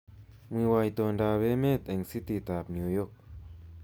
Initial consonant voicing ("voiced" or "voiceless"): voiced